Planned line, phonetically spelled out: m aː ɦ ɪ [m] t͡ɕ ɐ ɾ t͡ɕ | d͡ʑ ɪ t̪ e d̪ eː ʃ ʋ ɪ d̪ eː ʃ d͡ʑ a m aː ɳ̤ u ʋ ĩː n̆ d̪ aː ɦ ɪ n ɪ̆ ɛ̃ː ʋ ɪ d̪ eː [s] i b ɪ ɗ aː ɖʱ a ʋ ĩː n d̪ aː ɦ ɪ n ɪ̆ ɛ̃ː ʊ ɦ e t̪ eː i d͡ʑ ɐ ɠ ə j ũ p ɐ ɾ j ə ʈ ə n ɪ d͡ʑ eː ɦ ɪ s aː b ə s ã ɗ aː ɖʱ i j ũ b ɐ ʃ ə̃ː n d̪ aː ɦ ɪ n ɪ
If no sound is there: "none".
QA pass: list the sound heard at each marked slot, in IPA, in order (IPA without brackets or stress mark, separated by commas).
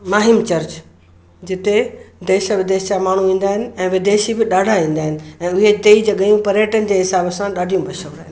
m, ʃ